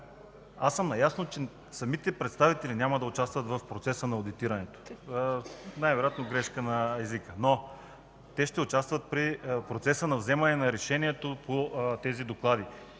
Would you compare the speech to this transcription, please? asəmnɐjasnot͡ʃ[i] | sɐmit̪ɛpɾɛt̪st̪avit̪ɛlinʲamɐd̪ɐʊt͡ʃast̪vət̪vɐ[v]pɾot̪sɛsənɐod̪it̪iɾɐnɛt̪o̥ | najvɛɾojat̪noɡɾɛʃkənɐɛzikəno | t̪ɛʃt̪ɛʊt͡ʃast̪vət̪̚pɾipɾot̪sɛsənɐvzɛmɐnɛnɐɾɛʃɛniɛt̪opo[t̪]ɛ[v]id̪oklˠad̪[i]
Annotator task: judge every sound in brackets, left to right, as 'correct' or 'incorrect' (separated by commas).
incorrect, incorrect, correct, incorrect, correct